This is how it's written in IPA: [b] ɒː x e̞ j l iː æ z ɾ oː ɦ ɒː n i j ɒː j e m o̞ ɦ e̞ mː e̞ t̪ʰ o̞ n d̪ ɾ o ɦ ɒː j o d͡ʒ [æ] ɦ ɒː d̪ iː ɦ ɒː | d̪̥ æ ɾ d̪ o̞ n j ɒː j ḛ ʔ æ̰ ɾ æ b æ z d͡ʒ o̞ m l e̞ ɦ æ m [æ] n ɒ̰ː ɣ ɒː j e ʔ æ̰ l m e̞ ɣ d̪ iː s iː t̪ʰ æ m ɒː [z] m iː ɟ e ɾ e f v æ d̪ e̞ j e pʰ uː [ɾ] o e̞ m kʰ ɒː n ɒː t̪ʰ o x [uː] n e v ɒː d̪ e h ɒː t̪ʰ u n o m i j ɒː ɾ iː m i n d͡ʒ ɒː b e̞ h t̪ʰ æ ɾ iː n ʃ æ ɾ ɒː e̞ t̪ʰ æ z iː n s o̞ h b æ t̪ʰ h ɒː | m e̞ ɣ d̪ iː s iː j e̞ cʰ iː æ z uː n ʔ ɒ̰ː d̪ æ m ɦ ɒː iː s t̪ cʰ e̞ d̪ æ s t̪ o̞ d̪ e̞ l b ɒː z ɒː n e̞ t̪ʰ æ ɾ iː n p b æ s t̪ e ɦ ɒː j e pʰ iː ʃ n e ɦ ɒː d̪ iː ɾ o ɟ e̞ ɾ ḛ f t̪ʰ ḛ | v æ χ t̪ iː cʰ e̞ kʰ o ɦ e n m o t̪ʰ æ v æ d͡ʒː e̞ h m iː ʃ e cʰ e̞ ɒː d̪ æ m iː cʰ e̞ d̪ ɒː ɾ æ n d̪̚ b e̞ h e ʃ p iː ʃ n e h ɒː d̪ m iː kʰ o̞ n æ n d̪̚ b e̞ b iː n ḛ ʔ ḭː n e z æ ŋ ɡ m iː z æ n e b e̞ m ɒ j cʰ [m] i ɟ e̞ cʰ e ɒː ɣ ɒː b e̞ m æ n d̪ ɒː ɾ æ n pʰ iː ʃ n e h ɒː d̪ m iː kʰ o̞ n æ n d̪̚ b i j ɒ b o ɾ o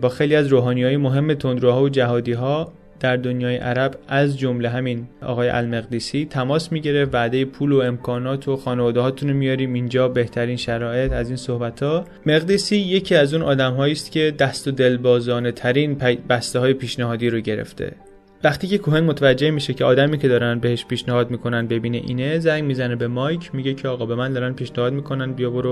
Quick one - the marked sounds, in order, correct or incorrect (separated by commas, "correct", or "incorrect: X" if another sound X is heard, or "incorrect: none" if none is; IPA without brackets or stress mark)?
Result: correct, correct, incorrect: i, incorrect: s, incorrect: l, incorrect: ɒː, correct